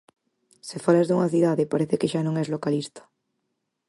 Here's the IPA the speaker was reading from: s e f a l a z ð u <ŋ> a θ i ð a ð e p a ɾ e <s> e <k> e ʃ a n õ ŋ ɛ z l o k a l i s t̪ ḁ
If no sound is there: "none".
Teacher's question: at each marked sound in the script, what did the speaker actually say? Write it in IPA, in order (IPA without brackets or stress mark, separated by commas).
ŋ, θ, k